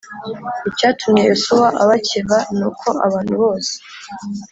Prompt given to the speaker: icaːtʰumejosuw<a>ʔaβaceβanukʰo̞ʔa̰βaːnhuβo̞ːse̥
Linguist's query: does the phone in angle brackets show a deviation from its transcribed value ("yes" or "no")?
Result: no